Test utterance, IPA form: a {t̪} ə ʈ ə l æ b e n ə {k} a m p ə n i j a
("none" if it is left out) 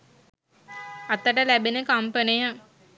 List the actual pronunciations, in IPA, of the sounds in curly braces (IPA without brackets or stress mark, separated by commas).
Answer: t̪, k